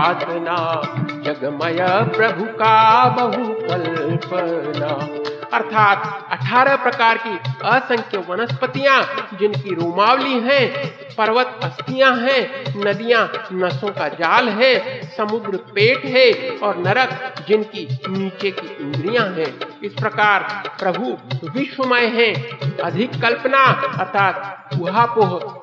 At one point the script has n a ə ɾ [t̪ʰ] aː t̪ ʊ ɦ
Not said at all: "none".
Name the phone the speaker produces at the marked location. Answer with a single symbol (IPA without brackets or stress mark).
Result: t̪ʰ